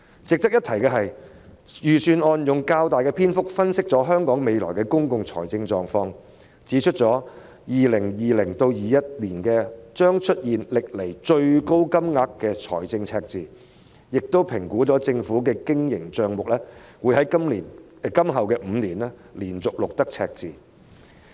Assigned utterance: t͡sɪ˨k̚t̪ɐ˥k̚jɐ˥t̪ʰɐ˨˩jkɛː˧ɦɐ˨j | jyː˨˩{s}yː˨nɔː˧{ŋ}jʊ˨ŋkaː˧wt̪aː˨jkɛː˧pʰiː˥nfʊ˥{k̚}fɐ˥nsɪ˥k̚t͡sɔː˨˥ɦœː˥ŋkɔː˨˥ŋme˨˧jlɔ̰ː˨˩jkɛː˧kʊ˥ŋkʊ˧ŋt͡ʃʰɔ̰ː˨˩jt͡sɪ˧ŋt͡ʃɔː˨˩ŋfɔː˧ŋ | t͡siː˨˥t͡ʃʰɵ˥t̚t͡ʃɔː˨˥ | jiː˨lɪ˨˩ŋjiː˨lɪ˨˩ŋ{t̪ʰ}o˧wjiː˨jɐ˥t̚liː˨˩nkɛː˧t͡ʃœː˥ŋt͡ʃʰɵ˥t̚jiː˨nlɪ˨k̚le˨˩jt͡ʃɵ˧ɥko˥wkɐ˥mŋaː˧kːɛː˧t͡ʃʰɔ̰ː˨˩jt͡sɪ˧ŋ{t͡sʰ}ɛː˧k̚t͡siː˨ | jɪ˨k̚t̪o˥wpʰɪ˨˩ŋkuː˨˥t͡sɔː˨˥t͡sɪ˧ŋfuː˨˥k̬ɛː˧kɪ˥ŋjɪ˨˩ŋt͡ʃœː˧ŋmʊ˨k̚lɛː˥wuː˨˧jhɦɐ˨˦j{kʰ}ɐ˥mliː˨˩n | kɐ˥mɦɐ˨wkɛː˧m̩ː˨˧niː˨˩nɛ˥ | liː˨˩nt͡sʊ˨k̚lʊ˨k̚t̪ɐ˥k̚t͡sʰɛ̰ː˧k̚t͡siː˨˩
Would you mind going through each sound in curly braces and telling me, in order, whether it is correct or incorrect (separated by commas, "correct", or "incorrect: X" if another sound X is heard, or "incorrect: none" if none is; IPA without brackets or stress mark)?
correct, incorrect: n, correct, incorrect: t̪, correct, incorrect: k